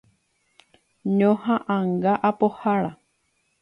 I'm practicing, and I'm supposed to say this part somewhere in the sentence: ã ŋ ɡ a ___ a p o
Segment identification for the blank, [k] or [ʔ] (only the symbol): ʔ